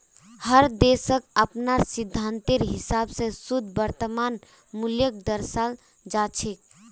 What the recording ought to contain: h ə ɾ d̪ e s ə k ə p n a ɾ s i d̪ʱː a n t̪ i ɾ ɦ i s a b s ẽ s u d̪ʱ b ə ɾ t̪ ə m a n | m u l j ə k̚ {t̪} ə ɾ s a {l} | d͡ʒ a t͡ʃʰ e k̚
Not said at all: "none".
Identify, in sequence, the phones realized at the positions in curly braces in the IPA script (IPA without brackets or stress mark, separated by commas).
d̪, l